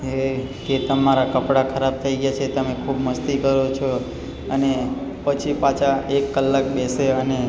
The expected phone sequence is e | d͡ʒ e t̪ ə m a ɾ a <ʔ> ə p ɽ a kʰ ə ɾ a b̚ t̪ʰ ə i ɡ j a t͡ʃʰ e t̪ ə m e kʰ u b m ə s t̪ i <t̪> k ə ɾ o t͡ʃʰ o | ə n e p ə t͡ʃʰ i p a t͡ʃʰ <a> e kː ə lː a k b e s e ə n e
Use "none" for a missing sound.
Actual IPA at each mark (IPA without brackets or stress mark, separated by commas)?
k, none, a